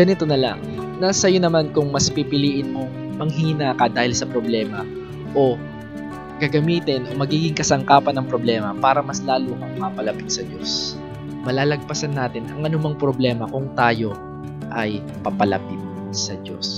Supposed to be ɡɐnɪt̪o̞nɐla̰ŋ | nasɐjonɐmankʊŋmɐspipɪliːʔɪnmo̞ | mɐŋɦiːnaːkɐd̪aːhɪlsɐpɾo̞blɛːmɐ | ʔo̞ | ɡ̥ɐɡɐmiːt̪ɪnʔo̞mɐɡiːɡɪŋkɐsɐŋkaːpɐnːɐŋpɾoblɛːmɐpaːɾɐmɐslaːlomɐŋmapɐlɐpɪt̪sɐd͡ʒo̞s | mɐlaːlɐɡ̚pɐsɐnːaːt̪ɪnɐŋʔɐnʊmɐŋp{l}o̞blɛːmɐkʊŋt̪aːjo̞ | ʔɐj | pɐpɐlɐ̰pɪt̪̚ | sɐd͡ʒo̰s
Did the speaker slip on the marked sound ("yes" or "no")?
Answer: yes